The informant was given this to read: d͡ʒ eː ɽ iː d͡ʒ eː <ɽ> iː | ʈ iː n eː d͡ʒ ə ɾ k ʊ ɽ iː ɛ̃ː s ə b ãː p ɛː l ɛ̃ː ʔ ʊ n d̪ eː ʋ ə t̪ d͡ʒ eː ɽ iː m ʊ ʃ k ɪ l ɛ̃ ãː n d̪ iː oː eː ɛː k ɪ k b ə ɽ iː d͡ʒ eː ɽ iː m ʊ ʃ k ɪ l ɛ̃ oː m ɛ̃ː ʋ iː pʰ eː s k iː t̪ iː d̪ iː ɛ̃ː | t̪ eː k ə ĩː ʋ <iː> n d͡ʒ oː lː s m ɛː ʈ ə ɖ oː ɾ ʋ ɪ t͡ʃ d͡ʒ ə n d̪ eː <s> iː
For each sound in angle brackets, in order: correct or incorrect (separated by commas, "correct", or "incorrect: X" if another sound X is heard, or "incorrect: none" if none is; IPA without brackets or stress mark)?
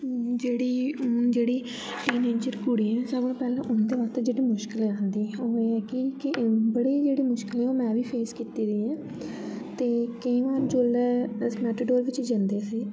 correct, incorrect: aː, correct